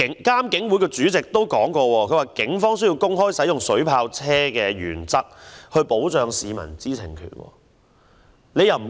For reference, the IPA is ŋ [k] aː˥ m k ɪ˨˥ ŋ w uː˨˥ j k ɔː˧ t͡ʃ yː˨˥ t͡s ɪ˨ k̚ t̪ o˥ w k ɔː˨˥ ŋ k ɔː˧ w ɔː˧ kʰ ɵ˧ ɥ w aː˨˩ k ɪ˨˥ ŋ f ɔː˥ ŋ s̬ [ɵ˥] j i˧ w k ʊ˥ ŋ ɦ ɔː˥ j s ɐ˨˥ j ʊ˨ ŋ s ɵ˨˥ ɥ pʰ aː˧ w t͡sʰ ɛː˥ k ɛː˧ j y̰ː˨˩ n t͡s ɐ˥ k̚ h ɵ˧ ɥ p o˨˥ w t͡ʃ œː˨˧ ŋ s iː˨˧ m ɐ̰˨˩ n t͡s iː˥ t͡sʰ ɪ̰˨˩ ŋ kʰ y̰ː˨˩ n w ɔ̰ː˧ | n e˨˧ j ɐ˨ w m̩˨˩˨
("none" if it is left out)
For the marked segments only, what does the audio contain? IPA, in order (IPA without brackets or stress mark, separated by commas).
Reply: k, ɵ˥